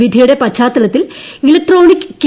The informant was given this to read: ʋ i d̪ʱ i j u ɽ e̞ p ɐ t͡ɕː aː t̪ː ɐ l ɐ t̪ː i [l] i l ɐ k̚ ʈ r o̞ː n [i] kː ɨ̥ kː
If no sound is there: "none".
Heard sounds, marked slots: l, i

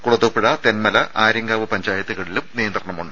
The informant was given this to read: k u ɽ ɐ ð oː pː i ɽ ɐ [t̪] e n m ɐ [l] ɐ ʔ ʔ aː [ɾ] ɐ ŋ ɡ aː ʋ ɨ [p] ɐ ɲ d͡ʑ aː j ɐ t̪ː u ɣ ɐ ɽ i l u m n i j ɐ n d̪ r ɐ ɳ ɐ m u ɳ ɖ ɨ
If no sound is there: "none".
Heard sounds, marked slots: t̪, l, ɾ, p

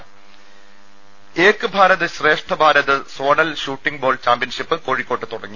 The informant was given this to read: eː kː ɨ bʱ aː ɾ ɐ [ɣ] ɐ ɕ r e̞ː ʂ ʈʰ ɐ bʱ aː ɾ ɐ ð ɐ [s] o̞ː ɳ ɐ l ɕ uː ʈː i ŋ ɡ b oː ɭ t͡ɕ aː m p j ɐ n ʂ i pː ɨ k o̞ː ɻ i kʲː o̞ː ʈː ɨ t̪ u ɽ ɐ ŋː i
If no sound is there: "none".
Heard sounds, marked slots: ð, s

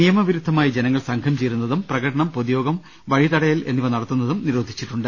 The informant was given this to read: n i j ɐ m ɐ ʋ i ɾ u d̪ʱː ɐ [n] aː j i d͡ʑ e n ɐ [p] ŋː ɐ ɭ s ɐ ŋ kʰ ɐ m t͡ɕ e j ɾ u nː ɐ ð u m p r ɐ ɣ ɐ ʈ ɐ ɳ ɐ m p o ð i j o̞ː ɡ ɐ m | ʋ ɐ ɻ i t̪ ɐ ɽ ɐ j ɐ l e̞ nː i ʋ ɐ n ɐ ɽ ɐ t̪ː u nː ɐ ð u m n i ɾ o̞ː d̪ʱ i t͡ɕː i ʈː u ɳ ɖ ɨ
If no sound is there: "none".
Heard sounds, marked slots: m, none

